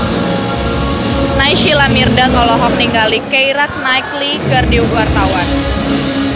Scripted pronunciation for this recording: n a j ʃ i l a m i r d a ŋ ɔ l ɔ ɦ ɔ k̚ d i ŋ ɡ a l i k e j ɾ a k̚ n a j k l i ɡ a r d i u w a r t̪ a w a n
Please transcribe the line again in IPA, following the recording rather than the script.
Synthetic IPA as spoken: n a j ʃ i l a m i r d a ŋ ɔ l ɔ ɦ ɔ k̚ n i ŋ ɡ a l i k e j ɾ a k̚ n a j k l i ɡ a r d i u w a r t̪ a w a n